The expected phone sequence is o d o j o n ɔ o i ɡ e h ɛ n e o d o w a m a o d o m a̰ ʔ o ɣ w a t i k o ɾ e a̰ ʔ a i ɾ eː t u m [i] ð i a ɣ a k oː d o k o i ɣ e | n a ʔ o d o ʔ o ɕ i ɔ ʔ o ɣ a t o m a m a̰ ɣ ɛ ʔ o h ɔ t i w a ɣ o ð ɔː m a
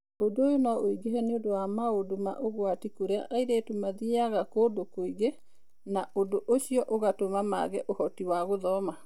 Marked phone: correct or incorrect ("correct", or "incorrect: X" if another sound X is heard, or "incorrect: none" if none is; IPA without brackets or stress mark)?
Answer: incorrect: a